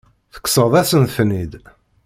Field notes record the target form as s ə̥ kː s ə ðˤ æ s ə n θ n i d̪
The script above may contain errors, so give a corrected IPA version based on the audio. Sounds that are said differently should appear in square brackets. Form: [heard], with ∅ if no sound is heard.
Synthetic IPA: [θ] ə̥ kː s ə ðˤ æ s ə n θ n i d̪